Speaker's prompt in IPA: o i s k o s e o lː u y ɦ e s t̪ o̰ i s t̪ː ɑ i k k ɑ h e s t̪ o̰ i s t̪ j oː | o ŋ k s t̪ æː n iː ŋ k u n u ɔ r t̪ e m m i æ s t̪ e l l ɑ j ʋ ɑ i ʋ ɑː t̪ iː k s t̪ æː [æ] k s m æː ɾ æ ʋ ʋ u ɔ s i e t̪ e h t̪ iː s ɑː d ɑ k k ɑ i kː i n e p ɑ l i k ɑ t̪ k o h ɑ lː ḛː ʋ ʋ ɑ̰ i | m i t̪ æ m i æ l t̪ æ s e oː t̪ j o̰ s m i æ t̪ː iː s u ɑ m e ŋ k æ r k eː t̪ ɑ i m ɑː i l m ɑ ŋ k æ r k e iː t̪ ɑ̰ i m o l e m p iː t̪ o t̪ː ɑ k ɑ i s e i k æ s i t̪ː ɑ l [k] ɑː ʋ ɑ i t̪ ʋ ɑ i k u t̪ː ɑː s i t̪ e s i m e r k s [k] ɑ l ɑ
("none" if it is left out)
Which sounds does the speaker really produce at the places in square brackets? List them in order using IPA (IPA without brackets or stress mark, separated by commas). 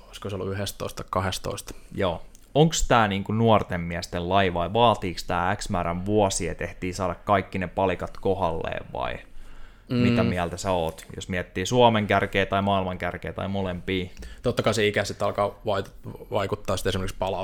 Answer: æ, k, p